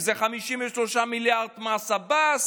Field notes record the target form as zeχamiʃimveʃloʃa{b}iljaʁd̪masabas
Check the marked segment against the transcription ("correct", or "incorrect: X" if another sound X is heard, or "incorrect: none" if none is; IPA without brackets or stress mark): incorrect: m